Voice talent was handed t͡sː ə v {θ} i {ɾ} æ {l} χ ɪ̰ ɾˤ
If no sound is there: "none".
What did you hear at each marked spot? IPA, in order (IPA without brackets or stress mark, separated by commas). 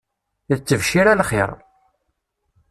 ʃ, ɾ, l